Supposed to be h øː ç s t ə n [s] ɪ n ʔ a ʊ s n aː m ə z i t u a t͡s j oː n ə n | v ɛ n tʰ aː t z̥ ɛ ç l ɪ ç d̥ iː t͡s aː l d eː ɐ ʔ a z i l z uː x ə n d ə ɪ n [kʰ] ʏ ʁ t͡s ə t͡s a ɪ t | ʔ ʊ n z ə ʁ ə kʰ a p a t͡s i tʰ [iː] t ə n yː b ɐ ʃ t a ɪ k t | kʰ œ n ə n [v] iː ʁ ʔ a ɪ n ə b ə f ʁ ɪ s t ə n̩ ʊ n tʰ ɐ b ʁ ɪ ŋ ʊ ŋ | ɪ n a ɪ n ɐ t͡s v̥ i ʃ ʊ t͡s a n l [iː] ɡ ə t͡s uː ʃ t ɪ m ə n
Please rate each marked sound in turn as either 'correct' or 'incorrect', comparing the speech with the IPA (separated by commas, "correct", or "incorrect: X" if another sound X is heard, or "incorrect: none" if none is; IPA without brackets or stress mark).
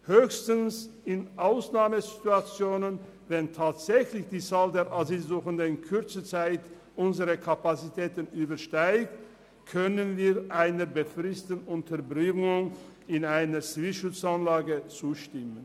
correct, correct, incorrect: ɛː, correct, incorrect: aː